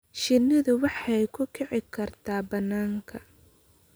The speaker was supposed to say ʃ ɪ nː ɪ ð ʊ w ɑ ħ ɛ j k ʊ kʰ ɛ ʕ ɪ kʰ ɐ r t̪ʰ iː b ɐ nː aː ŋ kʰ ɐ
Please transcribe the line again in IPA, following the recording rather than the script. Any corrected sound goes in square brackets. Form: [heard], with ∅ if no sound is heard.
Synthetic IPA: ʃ ɪ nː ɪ ð ʊ w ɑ ħ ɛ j [kʰ] ʊ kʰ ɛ ʕ ɪ kʰ ɐ r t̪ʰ [aː] b ɐ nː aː ŋ kʰ ɐ